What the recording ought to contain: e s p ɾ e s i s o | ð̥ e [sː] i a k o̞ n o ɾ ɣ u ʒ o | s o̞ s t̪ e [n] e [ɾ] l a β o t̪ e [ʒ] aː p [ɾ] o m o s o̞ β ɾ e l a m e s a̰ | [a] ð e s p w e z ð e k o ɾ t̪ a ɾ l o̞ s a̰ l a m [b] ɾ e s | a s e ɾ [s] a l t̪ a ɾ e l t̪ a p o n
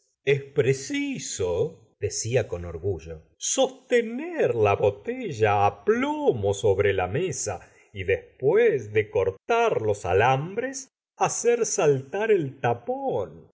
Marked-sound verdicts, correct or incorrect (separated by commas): incorrect, correct, correct, correct, incorrect, incorrect, correct, correct